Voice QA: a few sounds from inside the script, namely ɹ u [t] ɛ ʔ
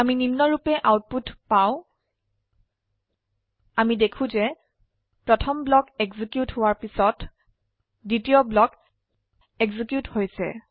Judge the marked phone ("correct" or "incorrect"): incorrect